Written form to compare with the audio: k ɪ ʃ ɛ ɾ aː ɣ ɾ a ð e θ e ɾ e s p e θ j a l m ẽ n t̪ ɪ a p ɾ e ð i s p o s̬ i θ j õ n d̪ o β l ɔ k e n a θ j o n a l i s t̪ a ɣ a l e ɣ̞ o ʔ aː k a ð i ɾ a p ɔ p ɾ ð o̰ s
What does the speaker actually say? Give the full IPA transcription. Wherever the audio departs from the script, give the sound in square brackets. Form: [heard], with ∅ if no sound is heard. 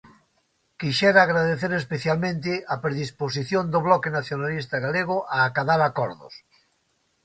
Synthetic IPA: k [i] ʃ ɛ ɾ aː ɣ ɾ a ð e θ e ɾ e s p e θ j a l m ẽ n t̪ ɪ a p ɾ e ð i s p o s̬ i θ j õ n d̪ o β l ɔ k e n a θ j o n a l i s t̪ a ɣ a l e ɣ̞ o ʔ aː k a ð [a] ɾ a [k] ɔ [∅] ɾ ð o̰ s